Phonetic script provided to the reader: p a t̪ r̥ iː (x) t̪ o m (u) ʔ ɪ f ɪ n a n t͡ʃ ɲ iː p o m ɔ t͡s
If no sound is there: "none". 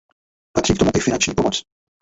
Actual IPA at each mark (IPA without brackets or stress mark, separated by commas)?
k, u